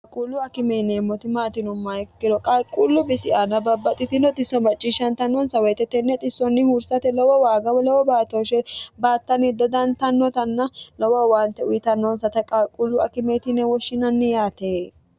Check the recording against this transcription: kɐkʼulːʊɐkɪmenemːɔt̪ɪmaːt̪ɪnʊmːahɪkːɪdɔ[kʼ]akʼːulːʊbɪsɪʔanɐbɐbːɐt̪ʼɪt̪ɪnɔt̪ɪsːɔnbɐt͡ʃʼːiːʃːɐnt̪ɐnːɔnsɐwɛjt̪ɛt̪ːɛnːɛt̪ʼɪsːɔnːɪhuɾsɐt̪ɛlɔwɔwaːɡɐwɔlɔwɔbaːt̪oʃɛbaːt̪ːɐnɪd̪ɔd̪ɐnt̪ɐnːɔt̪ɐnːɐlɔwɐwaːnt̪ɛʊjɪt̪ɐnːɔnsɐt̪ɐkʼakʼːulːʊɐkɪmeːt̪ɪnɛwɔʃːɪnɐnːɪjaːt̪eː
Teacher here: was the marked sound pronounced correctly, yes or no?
yes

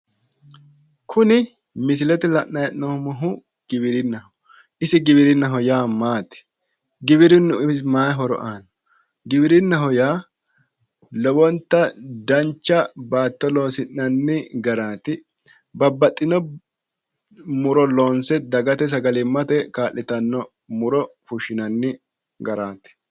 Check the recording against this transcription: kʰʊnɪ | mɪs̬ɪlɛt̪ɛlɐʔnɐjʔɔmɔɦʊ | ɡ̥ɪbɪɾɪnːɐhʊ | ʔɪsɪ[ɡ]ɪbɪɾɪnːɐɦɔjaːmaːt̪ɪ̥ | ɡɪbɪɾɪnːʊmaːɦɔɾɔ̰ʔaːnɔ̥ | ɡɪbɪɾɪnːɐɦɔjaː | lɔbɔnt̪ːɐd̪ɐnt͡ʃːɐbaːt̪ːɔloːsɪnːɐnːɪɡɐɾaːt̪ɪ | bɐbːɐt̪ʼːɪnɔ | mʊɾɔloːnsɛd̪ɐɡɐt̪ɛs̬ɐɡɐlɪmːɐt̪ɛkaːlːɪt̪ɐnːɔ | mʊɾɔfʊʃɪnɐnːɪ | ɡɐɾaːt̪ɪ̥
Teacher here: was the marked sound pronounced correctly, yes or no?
yes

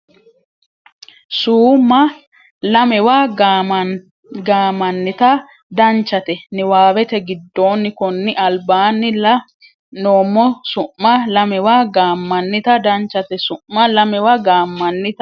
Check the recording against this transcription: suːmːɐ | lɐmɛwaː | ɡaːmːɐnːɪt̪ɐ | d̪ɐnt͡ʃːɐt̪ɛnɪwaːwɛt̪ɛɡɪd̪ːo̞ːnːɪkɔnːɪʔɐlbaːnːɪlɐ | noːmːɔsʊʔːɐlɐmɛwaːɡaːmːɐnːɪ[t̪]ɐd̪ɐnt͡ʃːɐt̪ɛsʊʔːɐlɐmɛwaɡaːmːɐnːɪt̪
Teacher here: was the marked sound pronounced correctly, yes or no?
yes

